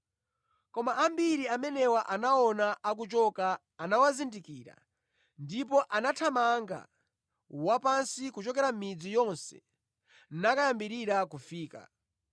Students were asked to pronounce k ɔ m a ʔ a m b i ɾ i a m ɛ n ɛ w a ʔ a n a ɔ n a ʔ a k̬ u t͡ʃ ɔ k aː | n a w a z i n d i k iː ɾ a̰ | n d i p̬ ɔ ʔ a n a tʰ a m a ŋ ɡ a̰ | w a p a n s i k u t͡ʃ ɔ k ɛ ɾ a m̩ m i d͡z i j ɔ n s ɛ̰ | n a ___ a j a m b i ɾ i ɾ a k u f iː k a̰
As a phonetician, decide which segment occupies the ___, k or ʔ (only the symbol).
k